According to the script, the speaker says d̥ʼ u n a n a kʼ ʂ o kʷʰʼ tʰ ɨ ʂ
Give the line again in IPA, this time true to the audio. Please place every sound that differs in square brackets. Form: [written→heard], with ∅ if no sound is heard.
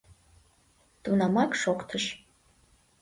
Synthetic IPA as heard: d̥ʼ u n a [n→m] a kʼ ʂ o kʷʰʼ tʰ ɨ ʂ